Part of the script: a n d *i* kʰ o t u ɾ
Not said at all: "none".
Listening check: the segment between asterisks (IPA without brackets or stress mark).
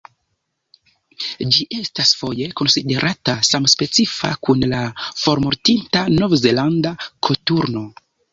a